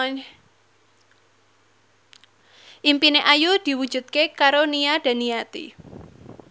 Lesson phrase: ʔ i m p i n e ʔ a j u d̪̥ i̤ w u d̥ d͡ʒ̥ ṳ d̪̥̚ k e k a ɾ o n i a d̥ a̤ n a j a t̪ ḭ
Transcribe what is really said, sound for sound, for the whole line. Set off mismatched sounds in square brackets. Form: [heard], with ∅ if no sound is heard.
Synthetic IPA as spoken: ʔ i m p i n e ʔ a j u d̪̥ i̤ w u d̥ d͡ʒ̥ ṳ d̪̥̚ k e k a ɾ o n i a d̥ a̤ n [i] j a t̪ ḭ